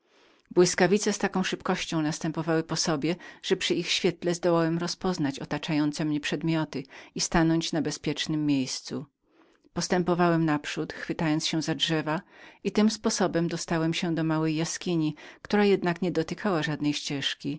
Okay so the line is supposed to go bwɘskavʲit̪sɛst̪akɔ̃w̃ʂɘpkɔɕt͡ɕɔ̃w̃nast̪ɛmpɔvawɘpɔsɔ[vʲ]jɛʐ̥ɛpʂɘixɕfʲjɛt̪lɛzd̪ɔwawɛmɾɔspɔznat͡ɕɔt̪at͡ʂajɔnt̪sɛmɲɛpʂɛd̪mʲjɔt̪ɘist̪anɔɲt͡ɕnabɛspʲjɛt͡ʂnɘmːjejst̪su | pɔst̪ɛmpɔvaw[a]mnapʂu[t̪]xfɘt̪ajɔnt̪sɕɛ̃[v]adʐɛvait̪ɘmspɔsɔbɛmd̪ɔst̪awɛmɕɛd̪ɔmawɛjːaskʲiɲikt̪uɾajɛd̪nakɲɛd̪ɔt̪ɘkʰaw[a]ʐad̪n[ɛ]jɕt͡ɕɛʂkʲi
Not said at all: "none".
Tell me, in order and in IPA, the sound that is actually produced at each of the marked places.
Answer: bʲ, ɛ, t̪, z, a, ɛ

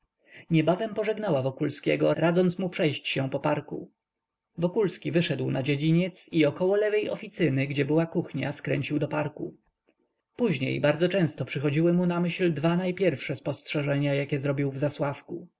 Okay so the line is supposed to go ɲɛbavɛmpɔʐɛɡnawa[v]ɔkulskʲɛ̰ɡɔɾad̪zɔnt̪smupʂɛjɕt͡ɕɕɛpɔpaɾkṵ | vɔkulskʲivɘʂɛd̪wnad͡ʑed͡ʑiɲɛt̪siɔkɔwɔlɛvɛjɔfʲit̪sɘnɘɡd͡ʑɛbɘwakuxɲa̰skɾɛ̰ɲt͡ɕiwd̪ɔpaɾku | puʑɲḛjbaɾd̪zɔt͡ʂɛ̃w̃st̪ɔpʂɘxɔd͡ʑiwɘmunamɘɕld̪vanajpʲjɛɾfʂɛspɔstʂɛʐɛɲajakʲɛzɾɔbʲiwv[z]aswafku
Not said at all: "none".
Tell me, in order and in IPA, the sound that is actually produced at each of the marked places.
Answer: v, z

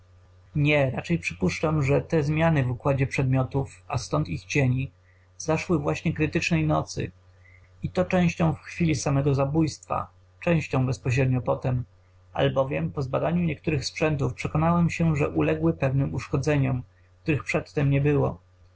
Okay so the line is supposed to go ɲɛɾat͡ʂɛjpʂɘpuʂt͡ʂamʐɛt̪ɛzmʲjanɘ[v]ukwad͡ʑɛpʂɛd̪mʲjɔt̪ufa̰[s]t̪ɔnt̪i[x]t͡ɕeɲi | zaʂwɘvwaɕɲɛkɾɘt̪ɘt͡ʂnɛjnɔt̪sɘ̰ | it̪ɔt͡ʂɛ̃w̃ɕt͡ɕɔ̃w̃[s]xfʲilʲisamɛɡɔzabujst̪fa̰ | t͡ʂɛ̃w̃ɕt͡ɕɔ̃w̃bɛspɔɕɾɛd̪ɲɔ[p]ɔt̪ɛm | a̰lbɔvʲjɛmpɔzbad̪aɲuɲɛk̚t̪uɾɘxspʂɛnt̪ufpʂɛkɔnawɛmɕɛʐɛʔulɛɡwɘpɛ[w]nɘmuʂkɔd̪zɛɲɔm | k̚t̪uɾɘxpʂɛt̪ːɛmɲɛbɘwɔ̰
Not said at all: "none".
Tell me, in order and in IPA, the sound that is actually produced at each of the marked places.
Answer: v, s, x, f, p, v

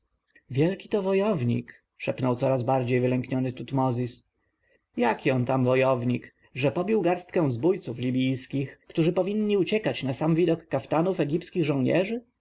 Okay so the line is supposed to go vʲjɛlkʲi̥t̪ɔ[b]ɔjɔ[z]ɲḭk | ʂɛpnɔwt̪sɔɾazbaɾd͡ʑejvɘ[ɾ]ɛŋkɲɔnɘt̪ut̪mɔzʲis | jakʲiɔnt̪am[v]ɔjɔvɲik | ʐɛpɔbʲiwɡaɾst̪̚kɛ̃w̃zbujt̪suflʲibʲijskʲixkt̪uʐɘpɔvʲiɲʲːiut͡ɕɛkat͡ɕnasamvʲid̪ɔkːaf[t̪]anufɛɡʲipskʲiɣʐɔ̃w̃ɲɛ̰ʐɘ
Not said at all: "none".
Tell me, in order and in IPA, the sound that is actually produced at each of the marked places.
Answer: v, v, l, v, t̪

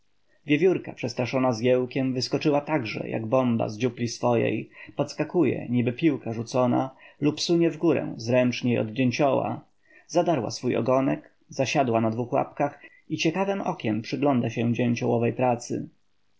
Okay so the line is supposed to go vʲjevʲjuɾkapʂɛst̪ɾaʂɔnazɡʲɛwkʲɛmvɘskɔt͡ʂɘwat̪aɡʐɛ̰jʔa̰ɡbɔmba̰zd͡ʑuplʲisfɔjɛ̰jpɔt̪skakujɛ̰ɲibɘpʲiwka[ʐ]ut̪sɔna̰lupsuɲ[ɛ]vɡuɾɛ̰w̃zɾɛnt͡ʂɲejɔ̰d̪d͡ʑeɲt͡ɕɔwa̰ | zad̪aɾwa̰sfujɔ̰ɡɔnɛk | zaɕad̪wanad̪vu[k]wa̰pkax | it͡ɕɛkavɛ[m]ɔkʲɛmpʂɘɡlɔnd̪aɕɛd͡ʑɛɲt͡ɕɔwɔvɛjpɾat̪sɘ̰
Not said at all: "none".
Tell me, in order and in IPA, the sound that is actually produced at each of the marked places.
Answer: ʐ, ɛ, x, m

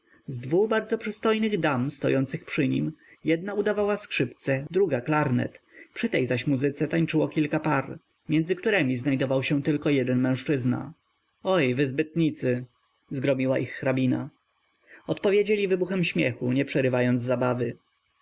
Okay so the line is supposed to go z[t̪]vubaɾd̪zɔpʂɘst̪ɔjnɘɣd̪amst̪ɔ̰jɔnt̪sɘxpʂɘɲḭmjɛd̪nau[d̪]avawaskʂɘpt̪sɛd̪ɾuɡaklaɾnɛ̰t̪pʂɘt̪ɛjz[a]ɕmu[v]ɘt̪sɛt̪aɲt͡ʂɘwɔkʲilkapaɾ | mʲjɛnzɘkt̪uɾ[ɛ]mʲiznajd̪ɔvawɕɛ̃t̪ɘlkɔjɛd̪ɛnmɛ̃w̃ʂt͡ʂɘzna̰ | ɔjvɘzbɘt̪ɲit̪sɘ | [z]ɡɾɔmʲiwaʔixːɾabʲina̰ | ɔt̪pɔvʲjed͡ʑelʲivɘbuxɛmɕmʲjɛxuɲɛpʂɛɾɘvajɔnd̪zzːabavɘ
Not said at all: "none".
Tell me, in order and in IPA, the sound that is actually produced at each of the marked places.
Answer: d̪, d̪, a, z, ɛ, z

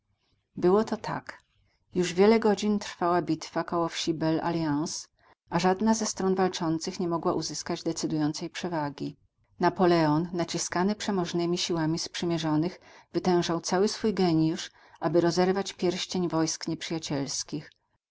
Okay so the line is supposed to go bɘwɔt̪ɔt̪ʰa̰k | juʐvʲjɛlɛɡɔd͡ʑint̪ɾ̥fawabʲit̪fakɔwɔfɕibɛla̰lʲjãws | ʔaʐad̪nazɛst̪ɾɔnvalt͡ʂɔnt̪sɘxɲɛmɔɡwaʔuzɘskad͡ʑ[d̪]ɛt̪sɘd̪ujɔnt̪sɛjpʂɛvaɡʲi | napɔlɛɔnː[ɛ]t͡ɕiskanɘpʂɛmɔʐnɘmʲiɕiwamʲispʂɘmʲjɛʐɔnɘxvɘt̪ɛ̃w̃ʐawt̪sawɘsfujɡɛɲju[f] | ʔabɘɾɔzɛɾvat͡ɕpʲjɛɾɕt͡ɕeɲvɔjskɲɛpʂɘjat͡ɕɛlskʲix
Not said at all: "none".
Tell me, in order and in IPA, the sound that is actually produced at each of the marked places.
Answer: d̪, a, ʂ

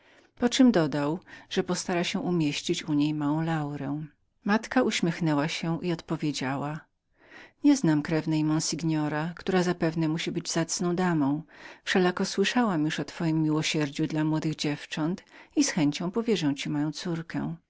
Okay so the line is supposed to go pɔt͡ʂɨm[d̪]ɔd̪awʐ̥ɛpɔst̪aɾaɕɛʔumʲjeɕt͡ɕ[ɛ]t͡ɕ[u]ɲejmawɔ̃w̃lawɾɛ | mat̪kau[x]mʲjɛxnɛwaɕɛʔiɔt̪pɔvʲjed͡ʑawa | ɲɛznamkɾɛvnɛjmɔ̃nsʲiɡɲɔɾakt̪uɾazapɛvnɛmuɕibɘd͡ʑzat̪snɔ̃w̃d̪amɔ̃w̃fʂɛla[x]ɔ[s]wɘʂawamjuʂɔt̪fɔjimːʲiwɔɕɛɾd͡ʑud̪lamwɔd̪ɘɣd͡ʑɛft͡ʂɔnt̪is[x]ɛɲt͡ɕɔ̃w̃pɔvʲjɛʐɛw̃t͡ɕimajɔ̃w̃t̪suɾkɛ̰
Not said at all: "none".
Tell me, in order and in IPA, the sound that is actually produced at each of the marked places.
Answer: d̪, i, u, ɕ, k, s, x

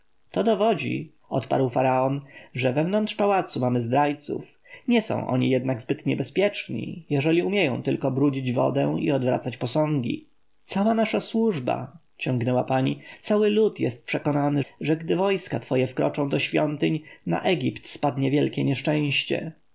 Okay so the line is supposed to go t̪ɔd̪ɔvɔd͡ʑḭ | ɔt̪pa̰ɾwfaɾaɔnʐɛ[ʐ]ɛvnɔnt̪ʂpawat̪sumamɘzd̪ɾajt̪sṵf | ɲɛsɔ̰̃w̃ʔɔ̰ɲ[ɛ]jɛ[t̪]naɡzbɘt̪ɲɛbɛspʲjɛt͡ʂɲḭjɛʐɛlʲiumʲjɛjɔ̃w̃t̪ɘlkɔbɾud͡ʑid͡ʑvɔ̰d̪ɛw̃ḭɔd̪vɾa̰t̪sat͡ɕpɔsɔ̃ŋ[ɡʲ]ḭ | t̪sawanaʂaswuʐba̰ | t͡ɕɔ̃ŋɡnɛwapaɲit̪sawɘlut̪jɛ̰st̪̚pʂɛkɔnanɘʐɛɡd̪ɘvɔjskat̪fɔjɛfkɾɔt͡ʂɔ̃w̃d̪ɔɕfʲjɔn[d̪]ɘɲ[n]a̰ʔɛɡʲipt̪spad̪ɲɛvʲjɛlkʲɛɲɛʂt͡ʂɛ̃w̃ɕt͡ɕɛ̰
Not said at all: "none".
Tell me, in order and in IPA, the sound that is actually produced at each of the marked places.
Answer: v, i, d̪, ɡʲ, t̪, n

